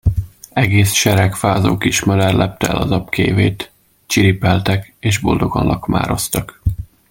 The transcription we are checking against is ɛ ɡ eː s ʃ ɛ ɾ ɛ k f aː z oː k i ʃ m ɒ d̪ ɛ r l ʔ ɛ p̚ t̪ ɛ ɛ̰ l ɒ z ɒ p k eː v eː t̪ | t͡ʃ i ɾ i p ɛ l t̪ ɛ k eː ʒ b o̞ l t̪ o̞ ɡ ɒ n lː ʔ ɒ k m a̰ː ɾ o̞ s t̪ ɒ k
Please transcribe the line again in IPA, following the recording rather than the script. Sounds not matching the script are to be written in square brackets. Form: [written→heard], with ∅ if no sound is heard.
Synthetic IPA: ɛ ɡ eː s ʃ ɛ ɾ ɛ k f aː z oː k i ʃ m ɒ d̪ ɛ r l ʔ ɛ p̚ t̪ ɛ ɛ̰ l ɒ z ɒ p k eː v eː t̪ | t͡ʃ i ɾ i p ɛ l t̪ ɛ k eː ʒ b o̞ l [t̪→d̪] o̞ ɡ ɒ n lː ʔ ɒ k m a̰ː ɾ o̞ s t̪ ɒ k